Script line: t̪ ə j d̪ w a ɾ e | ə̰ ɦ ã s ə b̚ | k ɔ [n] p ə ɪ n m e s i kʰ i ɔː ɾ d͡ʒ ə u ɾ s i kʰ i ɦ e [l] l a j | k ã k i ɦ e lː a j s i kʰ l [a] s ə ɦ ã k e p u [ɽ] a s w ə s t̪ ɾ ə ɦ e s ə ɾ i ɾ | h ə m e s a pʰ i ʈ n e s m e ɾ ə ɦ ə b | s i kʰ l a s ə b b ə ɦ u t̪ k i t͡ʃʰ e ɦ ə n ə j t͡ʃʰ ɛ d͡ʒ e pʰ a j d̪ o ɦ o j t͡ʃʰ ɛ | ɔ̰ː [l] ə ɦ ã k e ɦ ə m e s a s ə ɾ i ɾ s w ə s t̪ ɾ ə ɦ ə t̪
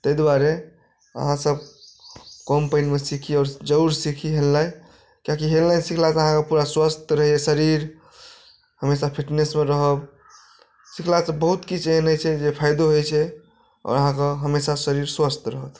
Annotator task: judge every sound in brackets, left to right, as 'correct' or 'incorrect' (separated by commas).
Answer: incorrect, correct, correct, incorrect, incorrect